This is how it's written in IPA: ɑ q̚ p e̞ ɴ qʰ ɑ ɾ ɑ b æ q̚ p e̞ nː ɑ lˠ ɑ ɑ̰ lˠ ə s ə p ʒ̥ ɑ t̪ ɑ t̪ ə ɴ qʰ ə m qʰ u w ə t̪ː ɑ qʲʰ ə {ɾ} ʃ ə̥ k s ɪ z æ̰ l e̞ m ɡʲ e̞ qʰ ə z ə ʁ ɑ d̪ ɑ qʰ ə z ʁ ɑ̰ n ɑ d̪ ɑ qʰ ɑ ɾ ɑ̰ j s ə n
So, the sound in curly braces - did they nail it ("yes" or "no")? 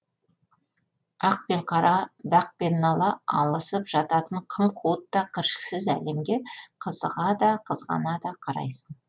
yes